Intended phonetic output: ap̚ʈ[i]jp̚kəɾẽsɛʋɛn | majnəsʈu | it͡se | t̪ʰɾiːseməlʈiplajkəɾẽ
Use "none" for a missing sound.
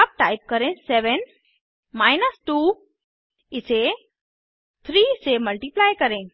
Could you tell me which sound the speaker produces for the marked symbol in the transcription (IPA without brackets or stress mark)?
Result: a